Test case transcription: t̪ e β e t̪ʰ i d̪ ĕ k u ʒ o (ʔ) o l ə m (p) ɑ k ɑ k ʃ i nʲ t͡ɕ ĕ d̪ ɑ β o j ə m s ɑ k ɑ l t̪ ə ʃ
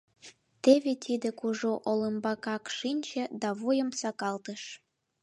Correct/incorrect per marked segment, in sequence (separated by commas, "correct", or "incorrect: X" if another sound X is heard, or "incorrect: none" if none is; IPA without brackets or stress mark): correct, incorrect: b